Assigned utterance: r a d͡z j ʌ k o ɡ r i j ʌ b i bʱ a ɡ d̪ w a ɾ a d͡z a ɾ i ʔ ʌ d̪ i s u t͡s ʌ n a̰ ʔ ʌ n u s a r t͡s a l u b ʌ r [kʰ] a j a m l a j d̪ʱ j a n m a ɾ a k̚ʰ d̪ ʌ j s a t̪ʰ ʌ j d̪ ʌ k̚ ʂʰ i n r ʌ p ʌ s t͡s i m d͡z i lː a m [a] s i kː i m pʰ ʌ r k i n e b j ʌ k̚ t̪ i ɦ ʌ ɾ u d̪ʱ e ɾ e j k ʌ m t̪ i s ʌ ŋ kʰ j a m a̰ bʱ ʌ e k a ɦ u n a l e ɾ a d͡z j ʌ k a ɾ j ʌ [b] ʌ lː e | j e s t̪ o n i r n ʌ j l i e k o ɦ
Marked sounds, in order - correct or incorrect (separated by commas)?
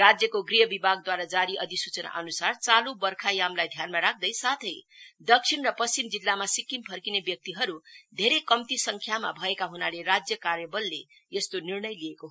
correct, correct, correct